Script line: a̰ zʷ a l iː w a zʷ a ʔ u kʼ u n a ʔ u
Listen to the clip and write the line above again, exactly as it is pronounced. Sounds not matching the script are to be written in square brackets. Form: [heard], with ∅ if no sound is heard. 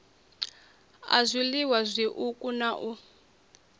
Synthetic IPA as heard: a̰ zʷ [i] l [i] w a zʷ [i] ʔ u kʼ u n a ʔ u